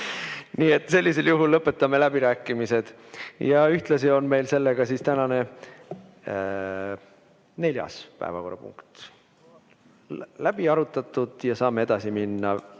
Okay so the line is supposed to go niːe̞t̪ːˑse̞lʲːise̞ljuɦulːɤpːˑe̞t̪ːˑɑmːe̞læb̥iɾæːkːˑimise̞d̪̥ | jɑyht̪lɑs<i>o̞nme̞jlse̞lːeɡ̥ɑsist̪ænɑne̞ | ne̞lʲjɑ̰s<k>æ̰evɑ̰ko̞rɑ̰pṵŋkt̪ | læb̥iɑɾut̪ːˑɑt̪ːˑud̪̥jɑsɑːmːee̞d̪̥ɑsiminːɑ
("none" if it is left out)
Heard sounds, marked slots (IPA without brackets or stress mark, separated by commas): i, p